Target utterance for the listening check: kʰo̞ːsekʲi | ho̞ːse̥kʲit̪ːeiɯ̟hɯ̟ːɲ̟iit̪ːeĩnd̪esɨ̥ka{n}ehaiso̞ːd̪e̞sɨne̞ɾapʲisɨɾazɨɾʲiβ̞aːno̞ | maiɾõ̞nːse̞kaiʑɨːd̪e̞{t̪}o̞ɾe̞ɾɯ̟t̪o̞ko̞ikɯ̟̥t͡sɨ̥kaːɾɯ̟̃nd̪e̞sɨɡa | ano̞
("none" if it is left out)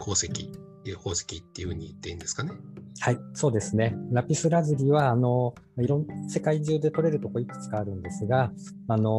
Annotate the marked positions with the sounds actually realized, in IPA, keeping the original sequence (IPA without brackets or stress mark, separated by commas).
n, t̪